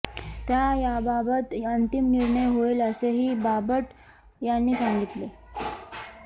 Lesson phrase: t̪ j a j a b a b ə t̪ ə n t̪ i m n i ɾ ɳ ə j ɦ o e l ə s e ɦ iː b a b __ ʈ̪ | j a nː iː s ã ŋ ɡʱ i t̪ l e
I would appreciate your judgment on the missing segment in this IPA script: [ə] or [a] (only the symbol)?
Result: ə